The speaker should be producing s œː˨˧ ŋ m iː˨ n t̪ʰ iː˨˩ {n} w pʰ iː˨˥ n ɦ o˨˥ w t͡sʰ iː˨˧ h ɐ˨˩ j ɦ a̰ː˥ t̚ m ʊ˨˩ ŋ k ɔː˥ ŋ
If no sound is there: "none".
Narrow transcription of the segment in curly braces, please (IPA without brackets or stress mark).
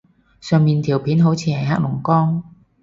none